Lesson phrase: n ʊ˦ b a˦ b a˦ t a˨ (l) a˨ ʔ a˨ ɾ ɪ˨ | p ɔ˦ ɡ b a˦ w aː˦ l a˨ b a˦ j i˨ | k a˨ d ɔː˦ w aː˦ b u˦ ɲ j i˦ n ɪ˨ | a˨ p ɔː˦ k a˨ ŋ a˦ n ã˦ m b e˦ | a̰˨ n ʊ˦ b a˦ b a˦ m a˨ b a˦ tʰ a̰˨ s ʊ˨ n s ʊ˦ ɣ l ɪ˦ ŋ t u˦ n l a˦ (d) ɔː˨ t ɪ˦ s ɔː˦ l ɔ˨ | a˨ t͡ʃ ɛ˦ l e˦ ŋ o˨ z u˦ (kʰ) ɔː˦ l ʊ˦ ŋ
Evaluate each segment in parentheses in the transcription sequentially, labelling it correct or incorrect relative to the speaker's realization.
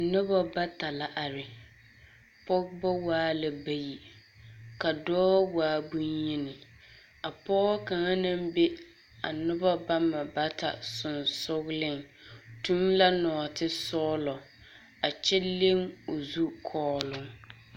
correct, incorrect: n, correct

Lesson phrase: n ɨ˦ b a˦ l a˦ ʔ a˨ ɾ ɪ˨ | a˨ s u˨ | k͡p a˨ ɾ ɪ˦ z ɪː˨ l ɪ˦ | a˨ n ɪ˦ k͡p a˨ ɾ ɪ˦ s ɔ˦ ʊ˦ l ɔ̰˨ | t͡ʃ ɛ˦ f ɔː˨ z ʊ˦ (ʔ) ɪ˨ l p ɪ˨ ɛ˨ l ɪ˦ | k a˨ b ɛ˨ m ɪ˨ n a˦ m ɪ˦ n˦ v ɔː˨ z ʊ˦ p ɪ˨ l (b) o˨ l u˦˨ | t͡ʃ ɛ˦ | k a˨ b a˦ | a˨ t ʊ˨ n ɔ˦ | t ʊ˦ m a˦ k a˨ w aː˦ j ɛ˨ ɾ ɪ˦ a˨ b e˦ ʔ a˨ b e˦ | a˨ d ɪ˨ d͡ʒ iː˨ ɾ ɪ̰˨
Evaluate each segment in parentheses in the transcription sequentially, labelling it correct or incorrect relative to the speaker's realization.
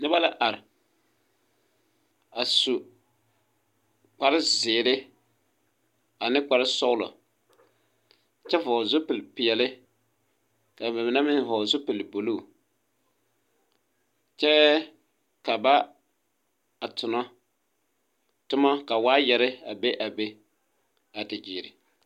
incorrect: p, correct

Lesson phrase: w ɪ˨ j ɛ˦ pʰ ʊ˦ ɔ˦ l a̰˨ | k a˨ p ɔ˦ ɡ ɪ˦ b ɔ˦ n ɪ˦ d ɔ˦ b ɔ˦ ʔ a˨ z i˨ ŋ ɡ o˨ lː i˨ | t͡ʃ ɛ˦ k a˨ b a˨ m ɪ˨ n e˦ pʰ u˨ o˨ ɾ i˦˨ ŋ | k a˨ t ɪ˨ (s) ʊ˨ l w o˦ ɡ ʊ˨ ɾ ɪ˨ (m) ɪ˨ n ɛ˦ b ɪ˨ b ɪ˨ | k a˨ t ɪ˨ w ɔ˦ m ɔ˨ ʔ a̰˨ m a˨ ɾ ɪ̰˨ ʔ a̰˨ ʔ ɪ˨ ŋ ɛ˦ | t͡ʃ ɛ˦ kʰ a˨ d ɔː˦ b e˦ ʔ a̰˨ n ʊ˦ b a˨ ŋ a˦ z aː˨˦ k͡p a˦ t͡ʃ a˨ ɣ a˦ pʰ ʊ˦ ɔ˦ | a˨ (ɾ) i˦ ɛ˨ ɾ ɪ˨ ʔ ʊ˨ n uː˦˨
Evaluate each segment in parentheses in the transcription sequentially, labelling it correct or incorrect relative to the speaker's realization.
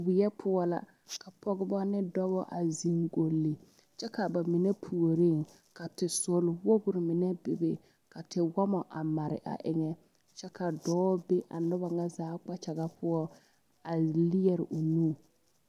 correct, correct, incorrect: l

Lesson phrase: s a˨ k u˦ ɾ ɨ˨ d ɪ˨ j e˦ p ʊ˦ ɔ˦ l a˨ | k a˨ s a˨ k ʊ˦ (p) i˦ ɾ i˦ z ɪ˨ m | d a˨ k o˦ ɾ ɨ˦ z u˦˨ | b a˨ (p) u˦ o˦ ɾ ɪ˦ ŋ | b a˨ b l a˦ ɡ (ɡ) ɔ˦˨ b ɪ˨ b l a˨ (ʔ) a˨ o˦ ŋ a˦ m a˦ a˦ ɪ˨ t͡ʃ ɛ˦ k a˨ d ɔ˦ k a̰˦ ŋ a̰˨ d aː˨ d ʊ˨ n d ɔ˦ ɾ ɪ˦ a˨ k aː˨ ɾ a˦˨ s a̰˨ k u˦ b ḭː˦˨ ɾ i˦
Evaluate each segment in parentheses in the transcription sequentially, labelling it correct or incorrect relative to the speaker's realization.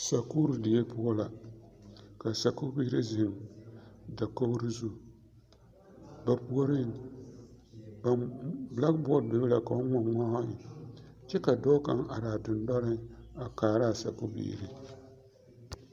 incorrect: b, correct, incorrect: b, incorrect: k

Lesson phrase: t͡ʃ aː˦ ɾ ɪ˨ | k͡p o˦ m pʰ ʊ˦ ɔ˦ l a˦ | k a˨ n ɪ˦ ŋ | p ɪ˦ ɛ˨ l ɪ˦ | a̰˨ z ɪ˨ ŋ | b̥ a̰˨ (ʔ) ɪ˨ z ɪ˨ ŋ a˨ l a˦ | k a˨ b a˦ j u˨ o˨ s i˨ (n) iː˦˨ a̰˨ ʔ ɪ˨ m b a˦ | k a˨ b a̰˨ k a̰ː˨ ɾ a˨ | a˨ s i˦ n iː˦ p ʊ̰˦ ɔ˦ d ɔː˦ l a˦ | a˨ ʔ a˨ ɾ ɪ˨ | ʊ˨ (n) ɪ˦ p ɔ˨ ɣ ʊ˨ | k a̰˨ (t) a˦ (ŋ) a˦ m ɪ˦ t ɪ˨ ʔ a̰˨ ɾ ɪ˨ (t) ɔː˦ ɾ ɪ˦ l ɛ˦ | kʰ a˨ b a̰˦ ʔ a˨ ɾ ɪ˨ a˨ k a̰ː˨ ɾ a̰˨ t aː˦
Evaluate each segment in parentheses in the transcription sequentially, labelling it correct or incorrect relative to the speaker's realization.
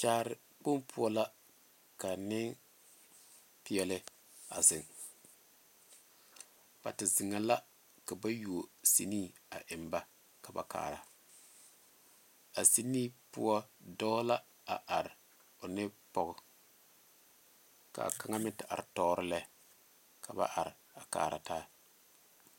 incorrect: t, correct, correct, incorrect: k, correct, correct

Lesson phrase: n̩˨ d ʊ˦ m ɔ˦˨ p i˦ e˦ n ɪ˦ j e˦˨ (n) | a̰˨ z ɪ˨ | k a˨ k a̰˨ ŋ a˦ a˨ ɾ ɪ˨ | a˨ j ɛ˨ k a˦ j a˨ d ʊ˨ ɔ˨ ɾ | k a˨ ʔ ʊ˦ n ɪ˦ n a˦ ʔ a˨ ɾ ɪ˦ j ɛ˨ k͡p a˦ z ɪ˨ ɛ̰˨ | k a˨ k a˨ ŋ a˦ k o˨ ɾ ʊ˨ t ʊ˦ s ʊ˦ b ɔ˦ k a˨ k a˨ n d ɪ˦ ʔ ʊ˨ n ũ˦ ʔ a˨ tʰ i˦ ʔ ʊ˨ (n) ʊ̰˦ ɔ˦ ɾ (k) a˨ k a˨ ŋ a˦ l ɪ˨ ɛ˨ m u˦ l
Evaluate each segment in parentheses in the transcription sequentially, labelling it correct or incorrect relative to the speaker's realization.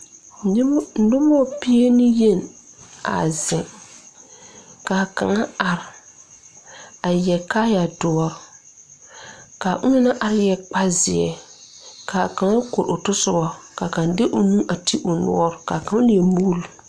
correct, correct, correct

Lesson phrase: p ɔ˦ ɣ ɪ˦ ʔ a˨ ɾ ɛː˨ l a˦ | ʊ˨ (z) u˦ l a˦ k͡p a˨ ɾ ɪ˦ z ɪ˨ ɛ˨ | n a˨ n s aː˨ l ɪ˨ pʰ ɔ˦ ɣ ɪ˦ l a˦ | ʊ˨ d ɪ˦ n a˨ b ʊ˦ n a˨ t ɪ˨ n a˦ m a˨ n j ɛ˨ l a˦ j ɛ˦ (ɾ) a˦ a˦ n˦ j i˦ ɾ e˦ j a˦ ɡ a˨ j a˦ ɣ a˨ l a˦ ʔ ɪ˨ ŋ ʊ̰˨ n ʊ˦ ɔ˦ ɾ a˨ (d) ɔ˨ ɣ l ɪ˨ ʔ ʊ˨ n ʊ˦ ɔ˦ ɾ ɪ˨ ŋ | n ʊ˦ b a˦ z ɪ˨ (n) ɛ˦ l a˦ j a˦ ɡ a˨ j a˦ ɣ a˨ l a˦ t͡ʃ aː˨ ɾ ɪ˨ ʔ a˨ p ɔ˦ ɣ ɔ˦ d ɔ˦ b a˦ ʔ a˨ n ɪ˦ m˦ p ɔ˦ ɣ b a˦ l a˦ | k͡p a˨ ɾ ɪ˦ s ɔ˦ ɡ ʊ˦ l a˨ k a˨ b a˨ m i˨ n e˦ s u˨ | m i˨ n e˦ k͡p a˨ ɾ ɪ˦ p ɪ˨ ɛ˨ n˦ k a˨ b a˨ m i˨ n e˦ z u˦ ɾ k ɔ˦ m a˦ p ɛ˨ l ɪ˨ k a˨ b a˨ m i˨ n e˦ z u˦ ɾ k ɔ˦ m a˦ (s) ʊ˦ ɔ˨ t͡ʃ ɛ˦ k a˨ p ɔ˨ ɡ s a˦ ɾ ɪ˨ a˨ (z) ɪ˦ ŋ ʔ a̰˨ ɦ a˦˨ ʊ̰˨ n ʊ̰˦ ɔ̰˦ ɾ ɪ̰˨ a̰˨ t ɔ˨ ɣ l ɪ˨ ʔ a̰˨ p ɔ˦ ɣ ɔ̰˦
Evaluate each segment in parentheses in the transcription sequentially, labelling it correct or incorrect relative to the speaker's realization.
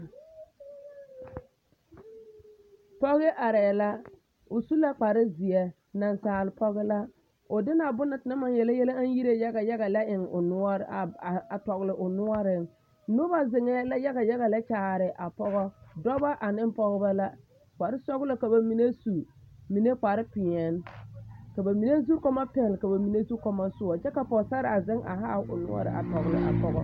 incorrect: s, incorrect: l, incorrect: t, incorrect: ŋ, correct, correct

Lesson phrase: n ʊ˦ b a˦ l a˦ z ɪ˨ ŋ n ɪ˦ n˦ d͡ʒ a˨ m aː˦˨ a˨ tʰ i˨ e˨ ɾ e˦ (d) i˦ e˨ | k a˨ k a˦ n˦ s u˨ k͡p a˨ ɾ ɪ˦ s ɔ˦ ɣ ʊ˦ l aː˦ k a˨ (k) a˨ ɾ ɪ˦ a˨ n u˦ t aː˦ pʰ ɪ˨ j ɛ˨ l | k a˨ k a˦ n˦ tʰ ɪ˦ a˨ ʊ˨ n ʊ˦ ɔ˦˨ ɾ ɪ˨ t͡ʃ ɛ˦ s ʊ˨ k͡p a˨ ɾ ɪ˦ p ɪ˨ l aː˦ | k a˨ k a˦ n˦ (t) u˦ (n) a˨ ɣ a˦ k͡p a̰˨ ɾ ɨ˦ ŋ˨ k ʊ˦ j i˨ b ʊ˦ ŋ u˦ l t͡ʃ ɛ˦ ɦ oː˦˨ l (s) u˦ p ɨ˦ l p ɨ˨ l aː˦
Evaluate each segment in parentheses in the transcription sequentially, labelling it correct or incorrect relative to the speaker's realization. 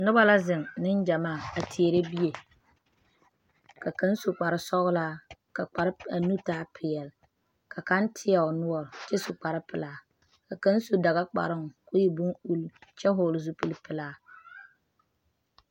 incorrect: b, incorrect: k͡p, incorrect: s, incorrect: d, incorrect: z

